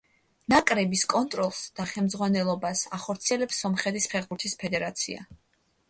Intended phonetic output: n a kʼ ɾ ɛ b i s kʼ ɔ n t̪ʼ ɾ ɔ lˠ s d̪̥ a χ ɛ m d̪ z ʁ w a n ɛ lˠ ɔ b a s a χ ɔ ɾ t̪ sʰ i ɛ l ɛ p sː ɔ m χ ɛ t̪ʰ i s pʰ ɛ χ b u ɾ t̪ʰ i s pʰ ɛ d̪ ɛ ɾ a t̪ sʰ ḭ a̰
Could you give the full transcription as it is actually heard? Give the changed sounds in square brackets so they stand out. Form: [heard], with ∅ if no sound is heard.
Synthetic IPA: n a kʼ ɾ ɛ b i s kʼ ɔ n t̪ʼ ɾ ɔ lˠ s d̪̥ a χ ɛ m d̪ z ʁ w a n ɛ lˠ ɔ b a s a χ ɔ ɾ t̪ sʰ i ɛ l ɛ p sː ɔ m χ ɛ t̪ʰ i s pʰ ɛ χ b u ɾ t̪ʰ i s pʰ ɛ d̪ ɛ ɾ a t̪ sʰ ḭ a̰